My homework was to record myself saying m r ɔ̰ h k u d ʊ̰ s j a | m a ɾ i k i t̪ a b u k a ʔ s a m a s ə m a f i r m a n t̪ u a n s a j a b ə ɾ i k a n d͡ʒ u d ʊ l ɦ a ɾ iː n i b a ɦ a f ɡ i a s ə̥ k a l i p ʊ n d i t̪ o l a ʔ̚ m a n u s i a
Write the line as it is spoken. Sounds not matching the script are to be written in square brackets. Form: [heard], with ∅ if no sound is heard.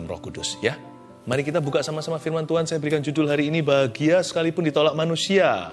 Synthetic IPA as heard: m r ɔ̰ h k u d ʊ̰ s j a | m a ɾ i k i t̪ a b u k a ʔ s a m a s [a] m a f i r m a n t̪ u a n s a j a b ə ɾ i k a n d͡ʒ u d ʊ l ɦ a ɾ iː n i b a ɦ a [∅] ɡ i a s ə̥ k a l i p ʊ n d i t̪ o l a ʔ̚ m a n u s i a